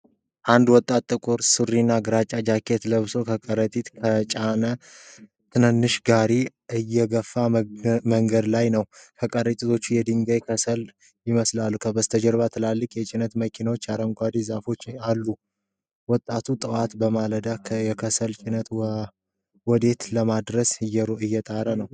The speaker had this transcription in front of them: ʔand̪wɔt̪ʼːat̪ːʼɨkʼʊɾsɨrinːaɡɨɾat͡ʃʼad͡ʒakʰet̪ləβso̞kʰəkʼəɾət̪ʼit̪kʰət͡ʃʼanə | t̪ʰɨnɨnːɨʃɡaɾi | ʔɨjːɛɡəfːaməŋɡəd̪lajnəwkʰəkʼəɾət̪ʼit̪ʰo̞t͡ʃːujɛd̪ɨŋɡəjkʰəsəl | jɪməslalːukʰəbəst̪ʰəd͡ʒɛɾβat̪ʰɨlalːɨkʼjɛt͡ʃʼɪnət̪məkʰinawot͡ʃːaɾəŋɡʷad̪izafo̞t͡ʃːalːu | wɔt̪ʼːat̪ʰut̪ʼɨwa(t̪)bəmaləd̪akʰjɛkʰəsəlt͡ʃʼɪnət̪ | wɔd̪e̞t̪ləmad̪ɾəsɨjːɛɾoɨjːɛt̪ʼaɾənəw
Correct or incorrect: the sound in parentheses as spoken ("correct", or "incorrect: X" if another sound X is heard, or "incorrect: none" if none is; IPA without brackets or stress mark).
correct